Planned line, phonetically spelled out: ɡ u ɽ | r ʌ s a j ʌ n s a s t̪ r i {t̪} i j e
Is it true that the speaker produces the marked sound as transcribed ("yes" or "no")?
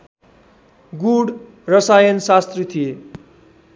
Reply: no